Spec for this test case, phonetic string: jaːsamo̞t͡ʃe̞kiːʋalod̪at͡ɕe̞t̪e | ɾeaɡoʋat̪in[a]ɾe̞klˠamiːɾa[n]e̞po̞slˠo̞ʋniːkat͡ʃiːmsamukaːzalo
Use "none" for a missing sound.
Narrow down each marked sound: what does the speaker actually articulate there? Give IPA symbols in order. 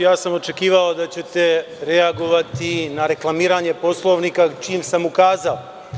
a, ɲ

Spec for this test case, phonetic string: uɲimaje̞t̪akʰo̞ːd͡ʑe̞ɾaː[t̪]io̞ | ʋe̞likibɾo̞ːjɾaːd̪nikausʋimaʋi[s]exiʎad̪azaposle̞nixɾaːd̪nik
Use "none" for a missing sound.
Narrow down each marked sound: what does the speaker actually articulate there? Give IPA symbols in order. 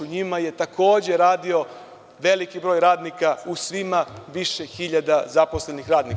d̪, ʃ

